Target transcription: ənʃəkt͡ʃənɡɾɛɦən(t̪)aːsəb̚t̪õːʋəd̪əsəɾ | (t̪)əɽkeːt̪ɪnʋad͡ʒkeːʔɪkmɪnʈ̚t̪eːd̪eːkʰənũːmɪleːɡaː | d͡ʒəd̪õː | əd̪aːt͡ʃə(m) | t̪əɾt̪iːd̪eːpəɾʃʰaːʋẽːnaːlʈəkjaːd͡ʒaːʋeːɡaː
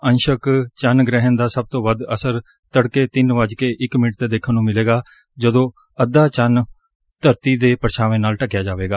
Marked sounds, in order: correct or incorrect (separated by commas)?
incorrect, correct, incorrect